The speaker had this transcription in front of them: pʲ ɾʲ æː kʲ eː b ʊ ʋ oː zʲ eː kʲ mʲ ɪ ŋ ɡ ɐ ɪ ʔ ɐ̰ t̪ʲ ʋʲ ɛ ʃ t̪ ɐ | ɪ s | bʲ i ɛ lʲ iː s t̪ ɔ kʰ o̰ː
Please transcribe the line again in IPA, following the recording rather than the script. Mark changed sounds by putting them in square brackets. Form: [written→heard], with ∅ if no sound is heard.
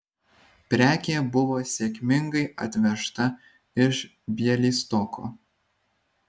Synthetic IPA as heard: pʲ ɾʲ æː kʲ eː b ʊ ʋ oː [zʲ→sʲ] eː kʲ mʲ ɪ ŋ ɡ ɐ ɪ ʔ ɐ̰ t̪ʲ ʋʲ ɛ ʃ t̪ ɐ | ɪ [s→ʃ] | bʲ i ɛ lʲ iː s t̪ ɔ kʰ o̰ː

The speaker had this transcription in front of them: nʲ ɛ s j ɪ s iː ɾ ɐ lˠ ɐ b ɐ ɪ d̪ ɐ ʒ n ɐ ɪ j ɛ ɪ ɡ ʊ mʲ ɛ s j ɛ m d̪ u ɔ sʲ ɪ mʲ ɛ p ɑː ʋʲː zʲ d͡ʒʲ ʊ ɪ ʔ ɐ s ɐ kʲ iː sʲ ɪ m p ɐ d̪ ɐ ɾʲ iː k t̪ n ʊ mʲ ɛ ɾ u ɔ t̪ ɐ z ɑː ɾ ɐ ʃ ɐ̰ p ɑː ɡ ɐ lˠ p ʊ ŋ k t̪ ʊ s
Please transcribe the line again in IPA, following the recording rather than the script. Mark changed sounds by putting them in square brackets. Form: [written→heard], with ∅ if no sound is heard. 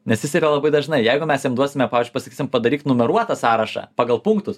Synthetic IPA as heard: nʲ ɛ s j ɪ s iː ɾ ɐ lˠ ɐ b ɐ ɪ d̪ ɐ ʒ n ɐ ɪ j ɛ ɪ ɡ ʊ mʲ ɛ s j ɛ m d̪ u ɔ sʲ ɪ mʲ ɛ p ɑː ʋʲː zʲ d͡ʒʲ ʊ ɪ [ʔ→p] ɐ s ɐ kʲ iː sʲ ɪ m p ɐ d̪ ɐ ɾʲ iː k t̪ n ʊ mʲ ɛ ɾ u ɔ t̪ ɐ [z→s] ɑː ɾ ɐ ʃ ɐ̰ p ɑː ɡ ɐ lˠ p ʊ ŋ k t̪ ʊ s

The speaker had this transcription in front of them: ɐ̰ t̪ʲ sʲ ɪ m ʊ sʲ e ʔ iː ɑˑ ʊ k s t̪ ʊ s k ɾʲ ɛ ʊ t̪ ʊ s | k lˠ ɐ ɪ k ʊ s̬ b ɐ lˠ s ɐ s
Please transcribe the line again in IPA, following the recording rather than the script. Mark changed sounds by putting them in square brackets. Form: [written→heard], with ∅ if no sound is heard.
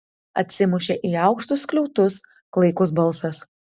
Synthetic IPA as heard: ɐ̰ t̪ʲ sʲ ɪ m ʊ [sʲ→ʃʲ] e ʔ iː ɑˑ ʊ k [s→ʃ] t̪ ʊ s k [ɾʲ→lʲ] ɛ ʊ t̪ ʊ s | k lˠ ɐ ɪ k ʊ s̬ b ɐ lˠ s ɐ s

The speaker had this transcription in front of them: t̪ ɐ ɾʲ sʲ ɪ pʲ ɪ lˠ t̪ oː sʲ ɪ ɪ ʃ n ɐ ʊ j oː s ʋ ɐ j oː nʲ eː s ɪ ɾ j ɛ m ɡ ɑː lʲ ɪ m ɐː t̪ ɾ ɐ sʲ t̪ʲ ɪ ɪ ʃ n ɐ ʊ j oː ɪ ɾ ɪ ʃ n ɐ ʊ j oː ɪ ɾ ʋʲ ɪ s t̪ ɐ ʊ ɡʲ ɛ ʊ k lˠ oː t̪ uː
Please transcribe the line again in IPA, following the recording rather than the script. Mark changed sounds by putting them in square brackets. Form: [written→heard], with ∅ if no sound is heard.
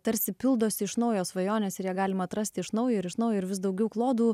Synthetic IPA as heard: t̪ ɐ ɾʲ sʲ ɪ pʲ ɪ lˠ [t̪→d̪] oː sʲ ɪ ɪ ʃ n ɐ ʊ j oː s ʋ ɐ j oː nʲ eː s ɪ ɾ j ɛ [m→∅] ɡ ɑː lʲ ɪ m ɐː t̪ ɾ ɐ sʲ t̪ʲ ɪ ɪ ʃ n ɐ ʊ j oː ɪ ɾ ɪ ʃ n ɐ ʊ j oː ɪ ɾ ʋʲ ɪ s [t̪→d̪] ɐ ʊ ɡʲ ɛ ʊ k lˠ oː [t̪→d̪] uː

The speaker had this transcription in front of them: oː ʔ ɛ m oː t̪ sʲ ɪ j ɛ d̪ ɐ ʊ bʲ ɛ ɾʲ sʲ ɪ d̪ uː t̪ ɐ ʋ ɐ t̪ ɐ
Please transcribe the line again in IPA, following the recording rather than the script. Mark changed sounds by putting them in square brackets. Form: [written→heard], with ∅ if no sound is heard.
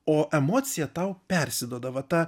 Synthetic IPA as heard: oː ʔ ɛ m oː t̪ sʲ ɪ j ɛ [d̪→t̪] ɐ ʊ [bʲ→pʲ] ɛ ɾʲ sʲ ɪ d̪ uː [t̪→d̪] ɐ ʋ ɐ t̪ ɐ

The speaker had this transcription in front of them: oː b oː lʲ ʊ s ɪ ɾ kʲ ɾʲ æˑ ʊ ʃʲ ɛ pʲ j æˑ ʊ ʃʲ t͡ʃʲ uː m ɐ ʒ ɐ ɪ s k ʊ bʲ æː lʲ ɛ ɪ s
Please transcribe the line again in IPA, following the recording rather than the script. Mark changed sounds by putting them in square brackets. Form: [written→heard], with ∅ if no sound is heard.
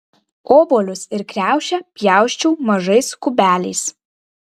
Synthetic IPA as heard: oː b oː lʲ ʊ s ɪ ɾ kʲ ɾʲ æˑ ʊ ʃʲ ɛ pʲ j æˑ ʊ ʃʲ t͡ʃʲ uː m ɐ ʒ ɐ ɪ s k ʊ bʲ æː lʲ ɛ ɪ s

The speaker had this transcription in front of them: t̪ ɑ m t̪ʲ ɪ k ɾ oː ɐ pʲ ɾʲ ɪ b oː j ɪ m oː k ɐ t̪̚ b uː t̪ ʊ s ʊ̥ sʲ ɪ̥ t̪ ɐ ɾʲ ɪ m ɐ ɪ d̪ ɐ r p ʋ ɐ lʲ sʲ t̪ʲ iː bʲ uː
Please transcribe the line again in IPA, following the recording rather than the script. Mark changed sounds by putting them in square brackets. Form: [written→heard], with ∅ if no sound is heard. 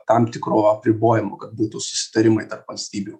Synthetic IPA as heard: t̪ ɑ m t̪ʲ ɪ k ɾ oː ɐ pʲ ɾʲ ɪ b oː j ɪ m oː k ɐ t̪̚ b uː t̪ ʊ s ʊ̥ sʲ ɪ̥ t̪ ɐ ɾʲ ɪ m ɐ ɪ [d̪→t̪] ɐ r p ʋ ɐ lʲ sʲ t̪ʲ iː bʲ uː

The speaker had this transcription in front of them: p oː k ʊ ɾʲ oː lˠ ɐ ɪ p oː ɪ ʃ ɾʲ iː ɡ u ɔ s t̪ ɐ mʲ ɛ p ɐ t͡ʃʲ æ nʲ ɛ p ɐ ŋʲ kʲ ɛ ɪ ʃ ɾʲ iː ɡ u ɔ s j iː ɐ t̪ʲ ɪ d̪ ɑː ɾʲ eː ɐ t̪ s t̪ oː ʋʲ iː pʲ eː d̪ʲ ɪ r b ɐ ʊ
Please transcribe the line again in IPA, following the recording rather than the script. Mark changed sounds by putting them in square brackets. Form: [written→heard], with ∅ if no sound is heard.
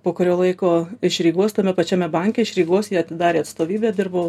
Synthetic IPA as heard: p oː k ʊ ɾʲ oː lˠ ɐ ɪ [p→k] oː ɪ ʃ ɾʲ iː ɡ u ɔ s t̪ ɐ mʲ ɛ p ɐ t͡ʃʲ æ [nʲ→mʲ] ɛ [p→b] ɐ ŋʲ kʲ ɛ ɪ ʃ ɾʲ iː ɡ u ɔ s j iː ɐ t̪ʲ ɪ d̪ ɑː ɾʲ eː ɐ t̪ s t̪ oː ʋʲ iː [pʲ→bʲ] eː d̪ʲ ɪ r b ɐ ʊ

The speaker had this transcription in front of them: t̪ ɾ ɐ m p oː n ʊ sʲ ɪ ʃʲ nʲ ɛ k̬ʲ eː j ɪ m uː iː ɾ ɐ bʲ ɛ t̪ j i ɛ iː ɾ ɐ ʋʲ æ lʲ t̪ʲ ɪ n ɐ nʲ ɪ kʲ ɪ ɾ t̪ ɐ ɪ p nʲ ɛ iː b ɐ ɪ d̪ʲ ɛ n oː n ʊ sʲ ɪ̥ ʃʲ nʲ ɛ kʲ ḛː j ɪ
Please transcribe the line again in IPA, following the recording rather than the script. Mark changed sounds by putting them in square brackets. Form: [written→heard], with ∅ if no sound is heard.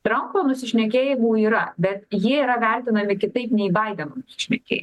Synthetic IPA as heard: t̪ ɾ ɐ m p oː n ʊ sʲ ɪ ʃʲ nʲ ɛ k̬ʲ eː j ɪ m uː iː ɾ ɐ bʲ ɛ t̪ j i ɛ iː ɾ ɐ ʋʲ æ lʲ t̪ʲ ɪ n ɐ [nʲ→mʲ] ɪ kʲ ɪ [ɾ→∅] t̪ ɐ ɪ p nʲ ɛ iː b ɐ ɪ d̪ʲ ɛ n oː n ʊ sʲ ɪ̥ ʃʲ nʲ ɛ kʲ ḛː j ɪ

